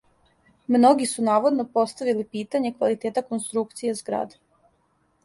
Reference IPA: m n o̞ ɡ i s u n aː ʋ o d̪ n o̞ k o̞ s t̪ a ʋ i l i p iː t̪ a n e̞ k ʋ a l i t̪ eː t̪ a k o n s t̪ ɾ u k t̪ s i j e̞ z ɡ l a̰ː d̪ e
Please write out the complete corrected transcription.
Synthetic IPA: m n o̞ ɡ i s u n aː ʋ o d̪ n o̞ p o̞ s t̪ a ʋ i l i p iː t̪ a ɲ e̞ k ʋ a l i t̪ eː t̪ a k o n s t̪ ɾ u k t̪ s i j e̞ z ɡ ɾ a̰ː d̪ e